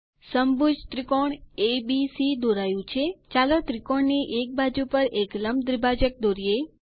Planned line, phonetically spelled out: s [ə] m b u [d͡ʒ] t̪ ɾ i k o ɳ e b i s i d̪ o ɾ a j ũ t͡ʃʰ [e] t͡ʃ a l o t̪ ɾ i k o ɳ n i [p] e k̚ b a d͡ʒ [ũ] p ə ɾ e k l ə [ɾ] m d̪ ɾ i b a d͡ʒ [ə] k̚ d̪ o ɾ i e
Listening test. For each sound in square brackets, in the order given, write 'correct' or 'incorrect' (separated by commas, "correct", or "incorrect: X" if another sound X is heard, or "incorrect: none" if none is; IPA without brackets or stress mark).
correct, correct, correct, incorrect: ʔ, incorrect: u, incorrect: none, correct